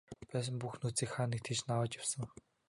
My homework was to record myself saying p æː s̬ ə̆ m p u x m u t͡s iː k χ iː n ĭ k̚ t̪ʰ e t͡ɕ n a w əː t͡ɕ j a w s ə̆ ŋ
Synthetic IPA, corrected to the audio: p æː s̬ ə̆ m p u x n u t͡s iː k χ aː n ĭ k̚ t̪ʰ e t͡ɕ n a w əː t͡ɕ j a w s ə̆ ŋ